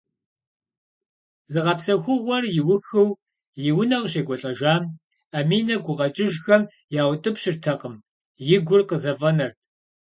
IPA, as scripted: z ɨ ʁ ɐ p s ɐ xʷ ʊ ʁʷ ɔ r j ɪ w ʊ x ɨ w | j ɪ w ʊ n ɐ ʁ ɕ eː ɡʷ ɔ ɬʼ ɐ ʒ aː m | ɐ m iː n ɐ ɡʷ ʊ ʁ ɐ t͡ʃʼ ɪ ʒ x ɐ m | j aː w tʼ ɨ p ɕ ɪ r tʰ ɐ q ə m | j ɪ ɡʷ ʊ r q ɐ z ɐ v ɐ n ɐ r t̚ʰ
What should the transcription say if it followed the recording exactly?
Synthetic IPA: z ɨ ʁ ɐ p s ɐ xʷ ʊ ʁʷ ɔ r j ɪ w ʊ x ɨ w | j ɪ w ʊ n ɐ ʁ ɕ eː ɡʷ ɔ ɬʼ ɐ ʒ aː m | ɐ m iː n ɐ ɡʷ ʊ ʁ ɐ t͡ʃʼ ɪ ʒ x ɐ m | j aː w tʼ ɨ p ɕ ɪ r tʰ ɐ q ə m | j ɪ ɡʷ ʊ r q ə z ɐ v ɐ n ɐ r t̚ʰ

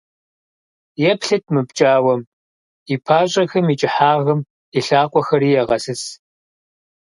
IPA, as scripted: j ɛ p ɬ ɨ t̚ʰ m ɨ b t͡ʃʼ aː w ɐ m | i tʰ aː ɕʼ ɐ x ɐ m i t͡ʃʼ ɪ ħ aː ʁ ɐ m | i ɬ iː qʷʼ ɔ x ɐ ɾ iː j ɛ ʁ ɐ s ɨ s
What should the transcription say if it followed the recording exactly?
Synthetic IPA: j ɛ p ɬ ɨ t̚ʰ m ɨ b t͡ʃʼ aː w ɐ m | i pʰ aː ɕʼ ɐ x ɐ m i t͡ʃʼ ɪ ħ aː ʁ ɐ m | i ɬ aː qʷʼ ɔ x ɐ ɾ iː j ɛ ʁ ɐ s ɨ s

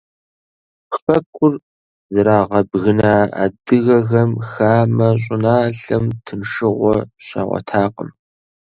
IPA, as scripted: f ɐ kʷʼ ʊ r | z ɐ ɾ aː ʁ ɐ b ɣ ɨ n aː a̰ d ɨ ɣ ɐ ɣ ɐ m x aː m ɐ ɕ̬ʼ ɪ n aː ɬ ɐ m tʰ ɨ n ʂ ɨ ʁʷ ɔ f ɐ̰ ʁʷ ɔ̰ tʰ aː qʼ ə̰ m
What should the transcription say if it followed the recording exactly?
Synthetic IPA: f ɐ kʷʼ ʊ r | z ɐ ɾ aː ʁ ɐ b ɣ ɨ n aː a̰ d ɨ ɣ ɐ ɣ ɐ m x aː m ɐ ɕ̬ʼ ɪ n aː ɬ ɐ m tʰ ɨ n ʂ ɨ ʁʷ ɔ ɕ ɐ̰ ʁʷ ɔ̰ tʰ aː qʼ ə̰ m

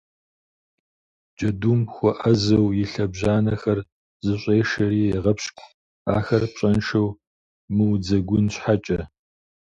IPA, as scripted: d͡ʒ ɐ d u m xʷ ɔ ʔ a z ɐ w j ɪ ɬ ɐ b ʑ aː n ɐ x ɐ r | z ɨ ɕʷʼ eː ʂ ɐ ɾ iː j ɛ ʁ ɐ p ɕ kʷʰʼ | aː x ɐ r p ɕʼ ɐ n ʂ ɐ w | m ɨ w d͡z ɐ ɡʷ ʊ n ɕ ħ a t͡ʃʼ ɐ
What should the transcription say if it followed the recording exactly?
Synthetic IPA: d͡ʒ ɐ d u m xʷ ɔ ʔ ɐ z ɐ w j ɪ ɬ ɐ b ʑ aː n ɐ x ɐ r | z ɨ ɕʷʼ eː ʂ ɐ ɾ iː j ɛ ʁ ɐ p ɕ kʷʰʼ | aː x ɐ r p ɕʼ ɐ n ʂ ɐ w | m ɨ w d͡z ɐ ɡʷ ʊ n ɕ ħ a t͡ʃʼ ɐ

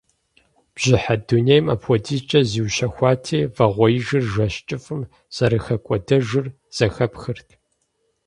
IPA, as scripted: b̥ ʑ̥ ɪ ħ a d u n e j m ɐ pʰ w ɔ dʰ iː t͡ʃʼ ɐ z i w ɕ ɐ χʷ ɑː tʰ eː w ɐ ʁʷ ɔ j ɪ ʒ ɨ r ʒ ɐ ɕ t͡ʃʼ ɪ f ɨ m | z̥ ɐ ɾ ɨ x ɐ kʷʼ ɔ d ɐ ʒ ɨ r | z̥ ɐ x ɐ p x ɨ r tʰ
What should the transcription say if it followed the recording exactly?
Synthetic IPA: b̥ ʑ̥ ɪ ħ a d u n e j m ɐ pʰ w ɔ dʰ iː t͡ʃʼ ɐ z i w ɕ ɐ xʷ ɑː tʰ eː v ɐ ʁʷ ɔ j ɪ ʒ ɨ r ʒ ɐ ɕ t͡ʃʼ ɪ f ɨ m | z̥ ɐ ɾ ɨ x ɐ kʷʼ ɔ d ɐ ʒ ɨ r | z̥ ɐ x ɐ p x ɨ r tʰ

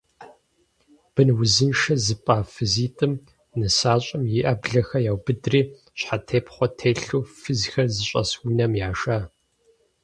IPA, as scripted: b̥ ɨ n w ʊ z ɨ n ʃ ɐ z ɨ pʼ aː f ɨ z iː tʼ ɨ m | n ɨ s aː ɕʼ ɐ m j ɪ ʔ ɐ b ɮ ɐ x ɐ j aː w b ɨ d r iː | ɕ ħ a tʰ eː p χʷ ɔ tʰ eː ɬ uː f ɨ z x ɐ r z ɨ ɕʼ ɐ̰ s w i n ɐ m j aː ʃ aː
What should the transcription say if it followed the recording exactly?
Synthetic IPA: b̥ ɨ n w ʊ z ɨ n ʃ ɐ z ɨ pʼ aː f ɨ z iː tʼ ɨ m | n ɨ s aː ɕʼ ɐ m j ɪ ʔ ɐ b ɮ ɐ x ɐ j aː w b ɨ d r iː | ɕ ħ a tʰ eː p χʷ ɔ tʰ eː ɬ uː f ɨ z x ɐ r z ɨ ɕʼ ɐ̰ s w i n ɐ m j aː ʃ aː

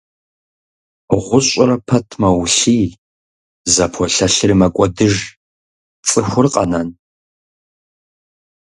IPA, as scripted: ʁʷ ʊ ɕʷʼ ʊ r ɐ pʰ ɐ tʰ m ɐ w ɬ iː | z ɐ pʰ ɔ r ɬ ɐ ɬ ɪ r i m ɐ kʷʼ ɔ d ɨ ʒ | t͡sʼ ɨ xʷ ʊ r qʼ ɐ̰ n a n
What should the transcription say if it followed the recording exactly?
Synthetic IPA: ʁʷ ʊ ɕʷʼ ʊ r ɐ pʰ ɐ tʰ m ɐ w ɬ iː | z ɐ pʰ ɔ ɬ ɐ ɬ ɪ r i m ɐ kʷʼ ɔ d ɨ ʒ | t͡sʼ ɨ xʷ ʊ r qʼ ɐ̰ n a n

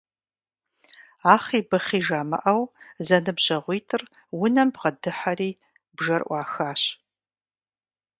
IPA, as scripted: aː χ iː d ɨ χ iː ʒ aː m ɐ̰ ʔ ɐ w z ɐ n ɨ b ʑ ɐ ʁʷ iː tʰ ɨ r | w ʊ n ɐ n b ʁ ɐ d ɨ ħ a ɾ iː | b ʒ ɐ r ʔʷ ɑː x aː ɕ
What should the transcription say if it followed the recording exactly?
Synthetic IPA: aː χ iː b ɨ χ iː ʒ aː m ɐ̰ ʔ ɐ w z ɐ n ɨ b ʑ ɐ ʁʷ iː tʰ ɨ r | w ʊ n ɐ m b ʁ ɐ d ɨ ħ a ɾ iː | b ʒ ɐ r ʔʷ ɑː x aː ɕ

